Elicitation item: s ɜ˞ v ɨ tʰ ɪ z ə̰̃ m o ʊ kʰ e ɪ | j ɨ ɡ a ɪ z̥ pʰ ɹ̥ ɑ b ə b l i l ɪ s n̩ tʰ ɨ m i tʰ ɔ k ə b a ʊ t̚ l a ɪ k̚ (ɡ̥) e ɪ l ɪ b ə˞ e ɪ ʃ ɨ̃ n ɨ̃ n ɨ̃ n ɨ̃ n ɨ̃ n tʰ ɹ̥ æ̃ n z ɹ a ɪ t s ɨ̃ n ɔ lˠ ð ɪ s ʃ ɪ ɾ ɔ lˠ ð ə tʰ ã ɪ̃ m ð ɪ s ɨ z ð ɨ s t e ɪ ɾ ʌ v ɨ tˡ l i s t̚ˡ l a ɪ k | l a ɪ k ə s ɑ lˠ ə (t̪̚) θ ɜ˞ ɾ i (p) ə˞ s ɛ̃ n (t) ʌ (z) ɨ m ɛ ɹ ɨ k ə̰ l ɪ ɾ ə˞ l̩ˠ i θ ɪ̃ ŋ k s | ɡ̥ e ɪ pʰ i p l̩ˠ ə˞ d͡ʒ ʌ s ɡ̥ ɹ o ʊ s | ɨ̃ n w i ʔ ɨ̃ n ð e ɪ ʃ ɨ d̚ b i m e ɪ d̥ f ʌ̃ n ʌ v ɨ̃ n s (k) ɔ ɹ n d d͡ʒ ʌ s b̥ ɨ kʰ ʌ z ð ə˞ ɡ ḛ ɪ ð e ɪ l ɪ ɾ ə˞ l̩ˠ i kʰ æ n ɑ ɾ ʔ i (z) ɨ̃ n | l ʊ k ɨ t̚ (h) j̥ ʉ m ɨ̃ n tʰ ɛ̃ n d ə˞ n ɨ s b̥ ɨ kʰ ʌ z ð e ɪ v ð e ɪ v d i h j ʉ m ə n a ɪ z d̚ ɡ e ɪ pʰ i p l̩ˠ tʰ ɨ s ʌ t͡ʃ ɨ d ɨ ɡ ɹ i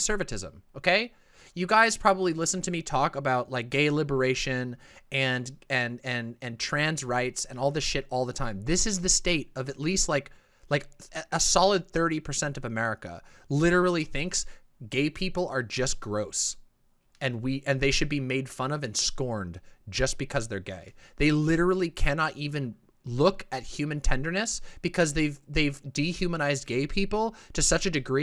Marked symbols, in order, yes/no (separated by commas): yes, no, no, yes, no, yes, no, yes